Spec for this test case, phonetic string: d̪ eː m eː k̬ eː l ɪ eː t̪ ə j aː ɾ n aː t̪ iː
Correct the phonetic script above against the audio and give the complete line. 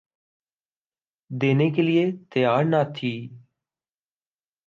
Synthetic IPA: d̪ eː n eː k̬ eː l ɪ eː t̪ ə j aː ɾ n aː t̪ʰ iː

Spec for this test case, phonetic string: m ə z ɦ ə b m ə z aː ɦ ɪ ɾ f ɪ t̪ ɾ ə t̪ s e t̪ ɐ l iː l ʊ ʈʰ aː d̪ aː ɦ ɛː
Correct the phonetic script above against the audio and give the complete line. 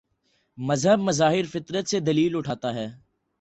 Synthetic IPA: m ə z ɦ ə b m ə z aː ɦ ɪ ɾ f ɪ t̪ ɾ ə t̪ s e d̪ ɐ l iː l ʊ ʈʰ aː t̪ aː ɦ ɛː

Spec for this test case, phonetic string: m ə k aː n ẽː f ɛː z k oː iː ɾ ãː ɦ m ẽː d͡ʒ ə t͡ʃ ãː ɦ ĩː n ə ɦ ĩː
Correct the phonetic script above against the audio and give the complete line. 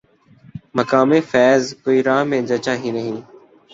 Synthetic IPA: m ə k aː m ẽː f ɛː z k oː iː ɾ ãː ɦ m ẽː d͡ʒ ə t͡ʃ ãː ɦ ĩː n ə ɦ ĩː

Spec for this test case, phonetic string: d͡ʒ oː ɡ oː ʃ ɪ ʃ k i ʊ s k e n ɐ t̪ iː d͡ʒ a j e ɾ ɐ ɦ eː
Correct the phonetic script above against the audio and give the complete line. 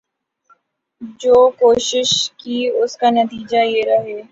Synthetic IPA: d͡ʒ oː k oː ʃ ɪ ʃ k i ʊ s k a n ɐ t̪ iː d͡ʒ a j e ɾ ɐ ɦ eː

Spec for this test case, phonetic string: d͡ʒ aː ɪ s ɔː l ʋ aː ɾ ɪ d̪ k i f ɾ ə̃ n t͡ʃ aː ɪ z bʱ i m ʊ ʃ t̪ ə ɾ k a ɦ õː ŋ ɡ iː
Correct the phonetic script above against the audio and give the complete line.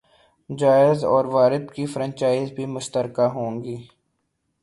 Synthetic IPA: d͡ʒ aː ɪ z ɔː ɾ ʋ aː ɾ ɪ d̪ k i f ɾ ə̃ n t͡ʃ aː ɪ z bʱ i m ʊ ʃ t̪ ə ɾ k a ɦ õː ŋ ɡ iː

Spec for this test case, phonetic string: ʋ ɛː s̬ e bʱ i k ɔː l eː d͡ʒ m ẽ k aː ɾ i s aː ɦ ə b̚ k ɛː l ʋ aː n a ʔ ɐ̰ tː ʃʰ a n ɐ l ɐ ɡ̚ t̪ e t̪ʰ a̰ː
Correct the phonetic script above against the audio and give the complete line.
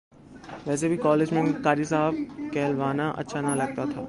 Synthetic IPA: ʋ ɛː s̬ e bʱ i k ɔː l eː d͡ʒ m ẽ k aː ɾ i s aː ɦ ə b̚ k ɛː l ʋ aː n a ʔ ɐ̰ tː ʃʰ a n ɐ l ɐ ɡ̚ t̪ a t̪ʰ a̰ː

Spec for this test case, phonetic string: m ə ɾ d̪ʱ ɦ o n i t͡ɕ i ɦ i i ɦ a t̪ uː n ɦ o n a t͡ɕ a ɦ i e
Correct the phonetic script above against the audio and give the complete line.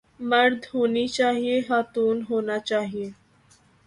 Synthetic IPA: m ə ɾ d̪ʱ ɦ o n i t͡ɕ a ɦ i e ɦ a t̪ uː n ɦ o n a t͡ɕ a ɦ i e

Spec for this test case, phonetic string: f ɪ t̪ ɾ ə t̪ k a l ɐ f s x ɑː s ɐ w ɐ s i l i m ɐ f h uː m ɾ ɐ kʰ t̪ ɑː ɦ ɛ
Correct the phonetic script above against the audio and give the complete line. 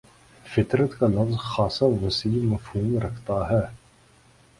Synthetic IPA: f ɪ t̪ ɾ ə t̪ k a l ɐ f z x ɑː s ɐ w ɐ s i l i m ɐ f h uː m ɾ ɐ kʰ t̪ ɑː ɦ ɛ

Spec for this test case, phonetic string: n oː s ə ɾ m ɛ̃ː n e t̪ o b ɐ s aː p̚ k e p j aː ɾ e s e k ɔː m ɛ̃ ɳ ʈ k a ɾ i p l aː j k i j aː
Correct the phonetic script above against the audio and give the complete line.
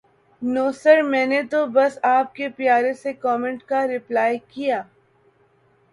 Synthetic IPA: n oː s ə ɾ m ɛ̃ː n e t̪ o b ɐ s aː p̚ k e p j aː ɾ e s e k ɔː m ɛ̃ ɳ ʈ k a ɾ ɪ p l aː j k i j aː

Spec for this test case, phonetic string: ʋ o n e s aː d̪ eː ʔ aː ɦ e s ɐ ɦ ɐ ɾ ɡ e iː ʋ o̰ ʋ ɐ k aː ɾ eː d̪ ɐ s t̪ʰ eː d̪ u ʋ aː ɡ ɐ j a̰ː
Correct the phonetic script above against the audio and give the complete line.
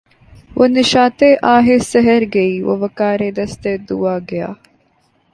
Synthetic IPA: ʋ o n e ʃ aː t̪ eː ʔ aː ɦ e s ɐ ɦ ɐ ɾ ɡ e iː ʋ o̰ ʋ ɐ k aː ɾ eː d̪ ɐ s t̪ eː d̪ u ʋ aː ɡ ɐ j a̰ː

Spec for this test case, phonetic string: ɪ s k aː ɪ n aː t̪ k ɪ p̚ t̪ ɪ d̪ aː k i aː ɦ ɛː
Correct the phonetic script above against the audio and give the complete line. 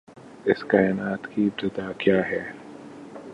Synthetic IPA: ɪ s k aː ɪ n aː t̪ k i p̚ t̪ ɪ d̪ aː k j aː ɦ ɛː

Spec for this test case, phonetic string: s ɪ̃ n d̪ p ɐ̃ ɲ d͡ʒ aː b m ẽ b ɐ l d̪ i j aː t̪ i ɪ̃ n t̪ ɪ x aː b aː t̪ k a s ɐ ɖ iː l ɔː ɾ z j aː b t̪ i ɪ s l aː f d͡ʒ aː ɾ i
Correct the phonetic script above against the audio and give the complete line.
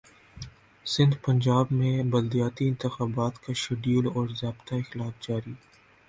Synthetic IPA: s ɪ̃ n d̪ p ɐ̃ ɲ d͡ʒ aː b m ẽ b ɐ l d̪ i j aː t̪ i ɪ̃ n t̪ ɪ x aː b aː t̪ k a ʃ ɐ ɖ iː l ɔː ɾ z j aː b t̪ a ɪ x l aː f d͡ʒ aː ɾ i

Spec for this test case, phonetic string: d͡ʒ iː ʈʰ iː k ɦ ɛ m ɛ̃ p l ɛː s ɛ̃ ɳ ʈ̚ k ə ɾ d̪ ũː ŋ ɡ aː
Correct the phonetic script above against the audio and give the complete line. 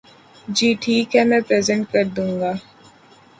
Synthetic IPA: d͡ʒ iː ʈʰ iː k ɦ ɛ m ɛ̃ p ɾ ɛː z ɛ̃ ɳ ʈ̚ k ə ɾ d̪ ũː ŋ ɡ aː

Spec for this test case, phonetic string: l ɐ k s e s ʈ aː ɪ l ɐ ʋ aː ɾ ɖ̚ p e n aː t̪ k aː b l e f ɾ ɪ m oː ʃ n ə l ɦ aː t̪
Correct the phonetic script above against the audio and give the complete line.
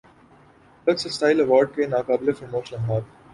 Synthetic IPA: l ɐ k s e s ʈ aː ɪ l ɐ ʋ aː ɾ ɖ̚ k e n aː k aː b l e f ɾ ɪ m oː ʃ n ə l ɦ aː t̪

